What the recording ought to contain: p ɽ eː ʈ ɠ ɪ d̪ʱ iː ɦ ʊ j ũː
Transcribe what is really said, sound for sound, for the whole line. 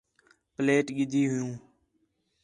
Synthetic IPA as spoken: p l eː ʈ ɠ ɪ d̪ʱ iː ɦ ʊ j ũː